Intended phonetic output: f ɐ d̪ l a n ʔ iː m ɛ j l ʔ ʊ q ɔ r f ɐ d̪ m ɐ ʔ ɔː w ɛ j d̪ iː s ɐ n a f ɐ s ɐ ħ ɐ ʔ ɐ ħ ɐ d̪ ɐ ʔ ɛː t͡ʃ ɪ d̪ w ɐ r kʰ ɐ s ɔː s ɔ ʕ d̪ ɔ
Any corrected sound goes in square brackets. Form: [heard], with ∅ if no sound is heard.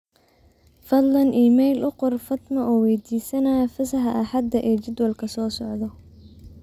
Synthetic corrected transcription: f ɐ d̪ l [ɐ] n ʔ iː m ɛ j l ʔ ʊ q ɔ r f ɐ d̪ m ɐ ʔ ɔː w ɛ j d̪ iː s ɐ n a f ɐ s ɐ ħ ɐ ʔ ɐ ħ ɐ d̪ ɐ ʔ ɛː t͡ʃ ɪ d̪ w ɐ [l] kʰ ɐ s ɔː s ɔ ʕ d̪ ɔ